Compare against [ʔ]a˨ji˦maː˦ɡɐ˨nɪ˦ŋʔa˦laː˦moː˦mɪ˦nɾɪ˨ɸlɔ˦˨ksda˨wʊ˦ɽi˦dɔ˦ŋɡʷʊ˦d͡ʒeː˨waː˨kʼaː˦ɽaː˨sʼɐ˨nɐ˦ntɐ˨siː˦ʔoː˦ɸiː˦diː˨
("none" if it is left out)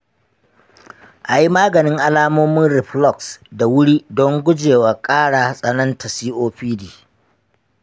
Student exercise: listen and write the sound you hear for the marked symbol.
ʔ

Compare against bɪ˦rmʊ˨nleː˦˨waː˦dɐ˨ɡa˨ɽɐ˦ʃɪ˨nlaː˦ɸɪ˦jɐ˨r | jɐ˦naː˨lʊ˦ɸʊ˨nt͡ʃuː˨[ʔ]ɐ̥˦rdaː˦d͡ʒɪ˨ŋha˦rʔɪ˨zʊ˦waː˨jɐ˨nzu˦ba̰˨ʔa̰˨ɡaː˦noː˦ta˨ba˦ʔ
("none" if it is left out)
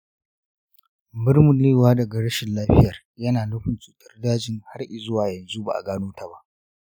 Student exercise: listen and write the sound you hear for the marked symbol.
t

